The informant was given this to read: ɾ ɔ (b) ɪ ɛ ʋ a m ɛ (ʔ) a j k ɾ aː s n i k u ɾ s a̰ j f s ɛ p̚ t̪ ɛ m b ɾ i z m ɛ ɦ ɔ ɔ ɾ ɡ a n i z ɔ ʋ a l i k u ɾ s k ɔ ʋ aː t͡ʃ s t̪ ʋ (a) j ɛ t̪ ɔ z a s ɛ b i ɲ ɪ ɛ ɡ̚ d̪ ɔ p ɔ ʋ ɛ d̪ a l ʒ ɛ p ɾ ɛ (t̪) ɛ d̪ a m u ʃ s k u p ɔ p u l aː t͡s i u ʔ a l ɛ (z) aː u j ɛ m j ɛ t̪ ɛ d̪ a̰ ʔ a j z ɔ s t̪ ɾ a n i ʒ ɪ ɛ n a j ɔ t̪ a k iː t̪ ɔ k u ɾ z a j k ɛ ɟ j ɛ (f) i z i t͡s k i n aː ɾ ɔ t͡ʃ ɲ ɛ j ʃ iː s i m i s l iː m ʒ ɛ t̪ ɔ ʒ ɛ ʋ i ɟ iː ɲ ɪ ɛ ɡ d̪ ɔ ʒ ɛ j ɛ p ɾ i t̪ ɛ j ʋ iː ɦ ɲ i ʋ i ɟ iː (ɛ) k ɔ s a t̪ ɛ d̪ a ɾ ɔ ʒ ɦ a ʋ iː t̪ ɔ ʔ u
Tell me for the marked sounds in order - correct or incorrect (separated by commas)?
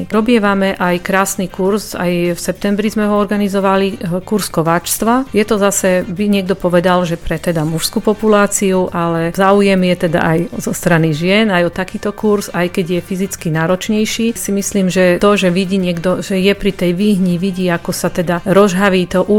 correct, correct, correct, correct, correct, correct, incorrect